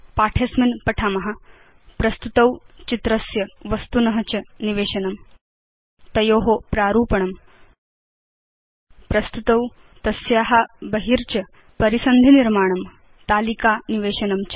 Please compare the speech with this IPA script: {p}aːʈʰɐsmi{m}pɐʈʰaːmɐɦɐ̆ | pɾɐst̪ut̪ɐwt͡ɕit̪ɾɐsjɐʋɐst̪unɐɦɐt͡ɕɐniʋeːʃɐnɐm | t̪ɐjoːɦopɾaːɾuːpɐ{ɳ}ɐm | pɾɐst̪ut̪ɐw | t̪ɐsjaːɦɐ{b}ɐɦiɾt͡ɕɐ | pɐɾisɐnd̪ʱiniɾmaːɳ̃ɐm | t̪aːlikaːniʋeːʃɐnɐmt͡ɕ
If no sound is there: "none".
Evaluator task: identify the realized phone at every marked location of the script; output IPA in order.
p, n, ɳ, b

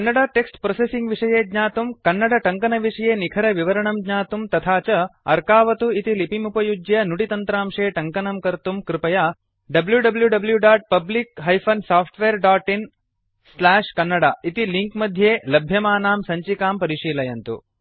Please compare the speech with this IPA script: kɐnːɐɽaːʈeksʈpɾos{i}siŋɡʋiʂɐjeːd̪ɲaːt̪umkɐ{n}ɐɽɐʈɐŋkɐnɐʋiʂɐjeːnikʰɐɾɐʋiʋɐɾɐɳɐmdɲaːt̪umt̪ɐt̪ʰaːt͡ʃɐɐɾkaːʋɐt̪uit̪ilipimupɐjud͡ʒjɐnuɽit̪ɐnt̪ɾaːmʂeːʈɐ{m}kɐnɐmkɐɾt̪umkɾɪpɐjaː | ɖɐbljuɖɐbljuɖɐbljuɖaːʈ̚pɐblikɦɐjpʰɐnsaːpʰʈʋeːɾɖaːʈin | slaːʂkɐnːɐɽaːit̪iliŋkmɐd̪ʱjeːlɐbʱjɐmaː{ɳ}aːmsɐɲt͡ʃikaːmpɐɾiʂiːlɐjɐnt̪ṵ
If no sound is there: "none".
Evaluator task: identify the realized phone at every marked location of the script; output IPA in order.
e, nː, ŋ, n

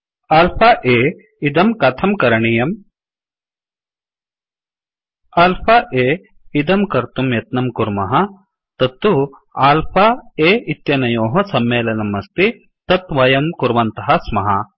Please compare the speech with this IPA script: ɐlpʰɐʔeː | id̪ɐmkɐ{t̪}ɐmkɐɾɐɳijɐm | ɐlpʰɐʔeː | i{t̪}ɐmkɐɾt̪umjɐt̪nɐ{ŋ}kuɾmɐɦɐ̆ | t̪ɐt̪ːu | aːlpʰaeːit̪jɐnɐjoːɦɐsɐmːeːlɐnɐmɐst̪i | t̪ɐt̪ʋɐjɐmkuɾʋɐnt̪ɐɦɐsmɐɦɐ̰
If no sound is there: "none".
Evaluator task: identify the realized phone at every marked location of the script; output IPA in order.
t̪ʰ, d̪, m

